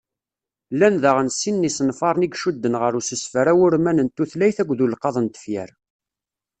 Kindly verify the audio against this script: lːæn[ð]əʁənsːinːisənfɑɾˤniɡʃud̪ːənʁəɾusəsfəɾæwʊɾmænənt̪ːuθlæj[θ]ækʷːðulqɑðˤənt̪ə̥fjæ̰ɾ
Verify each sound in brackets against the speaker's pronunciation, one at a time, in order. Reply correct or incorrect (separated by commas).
correct, correct